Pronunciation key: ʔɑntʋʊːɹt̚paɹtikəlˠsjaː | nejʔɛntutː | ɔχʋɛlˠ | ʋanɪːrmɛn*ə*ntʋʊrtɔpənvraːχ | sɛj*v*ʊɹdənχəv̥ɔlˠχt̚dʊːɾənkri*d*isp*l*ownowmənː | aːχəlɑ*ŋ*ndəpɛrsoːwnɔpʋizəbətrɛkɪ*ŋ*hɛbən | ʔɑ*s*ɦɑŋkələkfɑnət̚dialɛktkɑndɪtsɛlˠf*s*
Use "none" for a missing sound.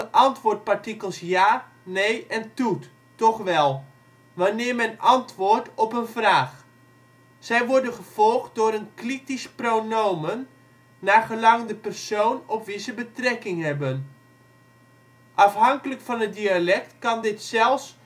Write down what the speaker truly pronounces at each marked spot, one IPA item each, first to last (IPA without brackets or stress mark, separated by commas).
ɑ, ʋ, t, r, ŋ, ŋ, f, s